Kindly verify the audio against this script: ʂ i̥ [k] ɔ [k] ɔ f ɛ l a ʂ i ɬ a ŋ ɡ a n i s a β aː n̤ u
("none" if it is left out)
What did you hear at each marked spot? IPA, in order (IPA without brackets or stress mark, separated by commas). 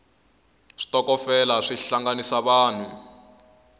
t, k